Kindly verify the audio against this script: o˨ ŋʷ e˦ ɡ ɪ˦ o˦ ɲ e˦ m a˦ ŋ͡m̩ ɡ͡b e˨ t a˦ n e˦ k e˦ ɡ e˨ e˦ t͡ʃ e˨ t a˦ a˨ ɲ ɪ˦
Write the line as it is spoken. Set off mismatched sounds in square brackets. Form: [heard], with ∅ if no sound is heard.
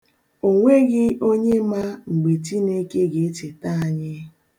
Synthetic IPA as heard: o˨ ŋʷ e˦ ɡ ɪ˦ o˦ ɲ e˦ m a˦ ŋ͡m̩ ɡ͡b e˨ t [i˦] n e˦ k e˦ ɡ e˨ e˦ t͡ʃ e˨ t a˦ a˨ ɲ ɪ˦